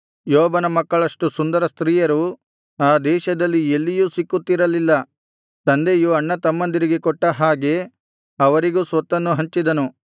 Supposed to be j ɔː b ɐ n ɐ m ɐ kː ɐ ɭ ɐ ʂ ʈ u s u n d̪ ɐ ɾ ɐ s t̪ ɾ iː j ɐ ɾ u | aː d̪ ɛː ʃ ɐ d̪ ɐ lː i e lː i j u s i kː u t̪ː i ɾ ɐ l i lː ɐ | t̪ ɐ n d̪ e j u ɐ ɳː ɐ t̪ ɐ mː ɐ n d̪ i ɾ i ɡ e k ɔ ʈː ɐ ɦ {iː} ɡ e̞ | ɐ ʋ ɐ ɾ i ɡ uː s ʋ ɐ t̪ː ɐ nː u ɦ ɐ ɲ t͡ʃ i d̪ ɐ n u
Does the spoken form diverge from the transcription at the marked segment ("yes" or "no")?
yes